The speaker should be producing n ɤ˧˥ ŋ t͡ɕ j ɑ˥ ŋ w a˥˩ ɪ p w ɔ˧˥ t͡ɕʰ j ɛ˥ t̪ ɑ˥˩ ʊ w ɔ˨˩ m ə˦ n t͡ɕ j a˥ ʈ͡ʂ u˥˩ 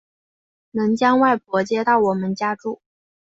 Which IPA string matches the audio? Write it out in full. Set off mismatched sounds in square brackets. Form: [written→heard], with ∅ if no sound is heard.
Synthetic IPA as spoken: n ɤ˧˥ ŋ t͡ɕ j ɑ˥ ŋ w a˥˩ ɪ p w ɔ˧˥ [t͡ɕʰ→t͡ɕ] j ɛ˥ t̪ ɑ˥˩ ʊ w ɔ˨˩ m ə˦ n t͡ɕ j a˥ ʈ͡ʂ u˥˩